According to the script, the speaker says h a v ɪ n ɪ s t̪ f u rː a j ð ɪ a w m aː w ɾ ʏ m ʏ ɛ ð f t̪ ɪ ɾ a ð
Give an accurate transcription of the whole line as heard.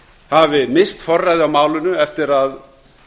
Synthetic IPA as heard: h a v ɪ m ɪ s t̪ f ɔ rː a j ð ɪ a w m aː w l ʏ n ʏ ɛ f t̪ ɪ ɾ a ð

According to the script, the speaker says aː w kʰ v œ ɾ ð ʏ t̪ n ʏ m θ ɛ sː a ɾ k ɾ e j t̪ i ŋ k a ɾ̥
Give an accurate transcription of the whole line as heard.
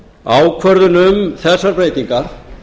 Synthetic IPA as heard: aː w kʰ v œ ɾ ð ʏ n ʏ m θ ɛ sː a ɾ p ɾ e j t̪ i ŋ k a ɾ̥

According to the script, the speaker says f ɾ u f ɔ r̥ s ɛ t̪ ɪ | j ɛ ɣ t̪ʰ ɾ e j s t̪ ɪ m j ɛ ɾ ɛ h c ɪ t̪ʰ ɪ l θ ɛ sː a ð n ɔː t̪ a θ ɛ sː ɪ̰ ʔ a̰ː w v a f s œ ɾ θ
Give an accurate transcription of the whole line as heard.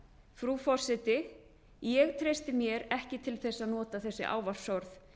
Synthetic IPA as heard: f ɾ u f ɔ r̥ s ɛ t̪ ɪ | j ɛ ɣ t̪ʰ ɾ e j s t̪ ɪ m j ɛ ɾ ɛ h c ɪ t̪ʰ ɪ l θ ɛ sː a ð n ɔː t̪ a θ ɛ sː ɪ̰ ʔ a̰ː w v a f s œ ɾ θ

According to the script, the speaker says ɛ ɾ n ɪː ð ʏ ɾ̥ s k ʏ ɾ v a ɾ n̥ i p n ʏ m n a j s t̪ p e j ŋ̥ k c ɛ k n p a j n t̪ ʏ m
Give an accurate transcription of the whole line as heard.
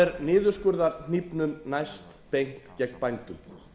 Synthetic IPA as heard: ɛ ɾ n ɪː ð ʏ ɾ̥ s k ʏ ɾ ð a ɾ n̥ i p n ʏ m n a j s t̪ p e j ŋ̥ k c ɛ k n p a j n t̪ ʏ m

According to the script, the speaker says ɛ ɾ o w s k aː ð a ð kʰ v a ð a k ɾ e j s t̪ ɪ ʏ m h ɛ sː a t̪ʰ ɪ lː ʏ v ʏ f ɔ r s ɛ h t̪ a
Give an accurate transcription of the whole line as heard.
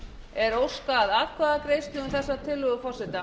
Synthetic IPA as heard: ɛ ɾ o w s k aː ð a ð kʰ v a ð a k ɾ e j s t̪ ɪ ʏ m θ ɛ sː a t̪ʰ ɪ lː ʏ ɣ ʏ f ɔ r s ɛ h t̪ a

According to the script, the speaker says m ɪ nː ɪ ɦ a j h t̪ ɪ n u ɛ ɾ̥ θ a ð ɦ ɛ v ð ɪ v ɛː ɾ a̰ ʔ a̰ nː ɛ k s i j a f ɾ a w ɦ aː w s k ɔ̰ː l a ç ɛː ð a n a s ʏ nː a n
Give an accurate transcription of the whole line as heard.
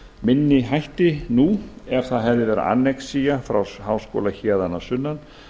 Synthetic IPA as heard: m ɪ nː ɪ ɦ a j h t̪ ɪ n u ɛ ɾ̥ θ a ð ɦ ɛ v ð ɪ v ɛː ɾ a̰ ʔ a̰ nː ɛ k s i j a f ɾ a w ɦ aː w s k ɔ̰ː l a ç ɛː ð a n a s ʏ nː a n

